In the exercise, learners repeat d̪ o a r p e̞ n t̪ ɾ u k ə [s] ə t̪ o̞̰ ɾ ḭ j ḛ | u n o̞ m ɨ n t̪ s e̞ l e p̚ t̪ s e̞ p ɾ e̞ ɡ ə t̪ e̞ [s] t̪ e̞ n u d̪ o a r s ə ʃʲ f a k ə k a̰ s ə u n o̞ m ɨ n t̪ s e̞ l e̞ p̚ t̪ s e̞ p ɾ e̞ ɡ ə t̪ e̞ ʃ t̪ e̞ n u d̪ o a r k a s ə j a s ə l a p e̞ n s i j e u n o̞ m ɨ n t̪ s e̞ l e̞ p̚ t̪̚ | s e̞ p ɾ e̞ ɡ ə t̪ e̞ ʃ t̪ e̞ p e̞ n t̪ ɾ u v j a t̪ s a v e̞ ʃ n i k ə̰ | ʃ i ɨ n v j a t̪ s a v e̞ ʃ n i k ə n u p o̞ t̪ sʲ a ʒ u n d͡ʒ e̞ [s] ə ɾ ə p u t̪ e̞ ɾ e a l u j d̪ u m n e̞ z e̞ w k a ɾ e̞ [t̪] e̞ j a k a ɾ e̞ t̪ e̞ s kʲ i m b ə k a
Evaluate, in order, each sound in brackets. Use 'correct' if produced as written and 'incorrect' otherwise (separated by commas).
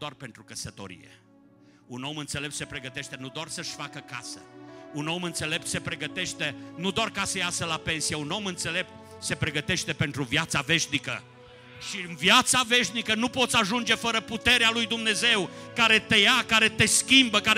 correct, incorrect, incorrect, correct